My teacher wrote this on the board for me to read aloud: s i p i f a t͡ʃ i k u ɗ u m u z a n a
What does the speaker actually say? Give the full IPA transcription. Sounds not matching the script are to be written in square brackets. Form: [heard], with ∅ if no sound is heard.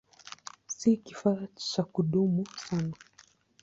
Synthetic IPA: s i [k] i f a t͡ʃ [a] k u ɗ u m u [s] a n a